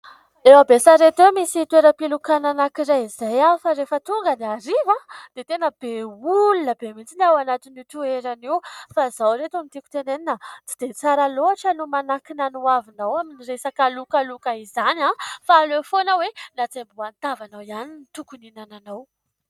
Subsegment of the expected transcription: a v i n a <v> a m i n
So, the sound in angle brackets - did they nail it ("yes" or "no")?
no